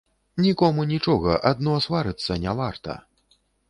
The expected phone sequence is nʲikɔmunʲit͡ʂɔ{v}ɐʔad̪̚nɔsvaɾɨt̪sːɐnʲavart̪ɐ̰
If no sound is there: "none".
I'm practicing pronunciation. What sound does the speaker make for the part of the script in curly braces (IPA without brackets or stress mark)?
ɣ